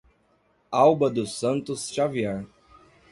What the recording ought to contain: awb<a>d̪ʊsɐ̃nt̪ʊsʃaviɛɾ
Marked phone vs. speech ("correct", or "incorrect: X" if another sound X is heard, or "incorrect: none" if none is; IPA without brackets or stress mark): incorrect: ɐ